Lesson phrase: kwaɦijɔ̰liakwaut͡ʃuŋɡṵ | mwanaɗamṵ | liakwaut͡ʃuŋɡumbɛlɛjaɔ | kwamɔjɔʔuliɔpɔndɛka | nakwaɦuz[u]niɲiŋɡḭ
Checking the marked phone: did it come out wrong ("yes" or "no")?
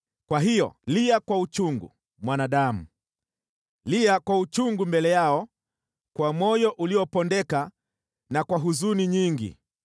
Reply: no